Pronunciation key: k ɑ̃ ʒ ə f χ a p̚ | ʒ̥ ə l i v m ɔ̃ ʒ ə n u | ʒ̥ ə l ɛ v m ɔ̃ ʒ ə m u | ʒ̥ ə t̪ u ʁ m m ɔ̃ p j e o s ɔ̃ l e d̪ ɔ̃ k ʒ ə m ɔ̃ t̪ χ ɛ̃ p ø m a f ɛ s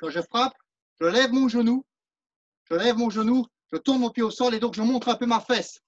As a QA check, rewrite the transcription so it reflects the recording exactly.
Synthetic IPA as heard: k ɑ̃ ʒ ə f χ a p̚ | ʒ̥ ə l ɛ v m ɔ̃ ʒ ə n u | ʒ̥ ə l ɛ v m ɔ̃ ʒ ə n u | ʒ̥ ə t̪ u ʁ n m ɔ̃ p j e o s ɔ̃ l e d̪ ɔ̃ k ʒ ə m ɔ̃ t̪ χ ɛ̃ p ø m a f ɛ s